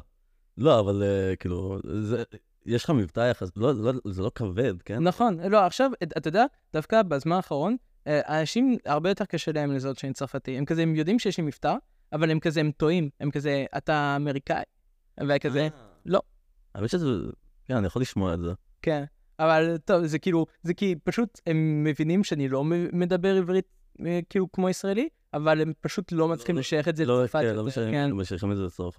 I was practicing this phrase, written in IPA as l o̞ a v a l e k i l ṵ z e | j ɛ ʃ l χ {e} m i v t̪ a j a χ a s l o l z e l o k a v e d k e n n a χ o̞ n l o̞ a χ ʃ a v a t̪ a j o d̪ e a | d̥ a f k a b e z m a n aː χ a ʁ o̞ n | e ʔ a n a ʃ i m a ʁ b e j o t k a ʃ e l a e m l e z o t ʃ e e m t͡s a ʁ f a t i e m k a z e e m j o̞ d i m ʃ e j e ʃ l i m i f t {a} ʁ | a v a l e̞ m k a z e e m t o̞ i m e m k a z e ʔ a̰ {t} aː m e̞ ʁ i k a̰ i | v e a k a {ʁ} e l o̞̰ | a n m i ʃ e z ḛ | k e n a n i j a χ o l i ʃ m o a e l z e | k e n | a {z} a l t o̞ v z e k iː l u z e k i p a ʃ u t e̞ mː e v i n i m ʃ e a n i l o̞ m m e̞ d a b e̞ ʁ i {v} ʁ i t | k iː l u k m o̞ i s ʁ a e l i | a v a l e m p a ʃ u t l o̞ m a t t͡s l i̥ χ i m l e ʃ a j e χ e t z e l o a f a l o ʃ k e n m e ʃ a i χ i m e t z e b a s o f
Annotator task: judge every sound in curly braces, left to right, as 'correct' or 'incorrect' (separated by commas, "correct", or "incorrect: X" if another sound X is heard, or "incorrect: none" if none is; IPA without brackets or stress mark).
incorrect: a, correct, correct, incorrect: z, incorrect: v, correct